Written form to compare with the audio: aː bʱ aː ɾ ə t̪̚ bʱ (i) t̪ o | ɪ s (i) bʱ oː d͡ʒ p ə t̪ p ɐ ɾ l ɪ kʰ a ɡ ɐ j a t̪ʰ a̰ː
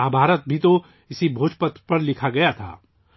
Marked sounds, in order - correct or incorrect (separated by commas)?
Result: correct, correct